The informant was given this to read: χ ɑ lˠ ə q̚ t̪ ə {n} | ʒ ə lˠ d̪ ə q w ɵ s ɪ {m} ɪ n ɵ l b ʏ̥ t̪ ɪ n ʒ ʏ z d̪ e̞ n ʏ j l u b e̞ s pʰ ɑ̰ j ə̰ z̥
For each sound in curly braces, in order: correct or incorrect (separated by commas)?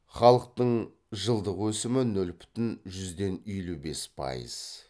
incorrect, correct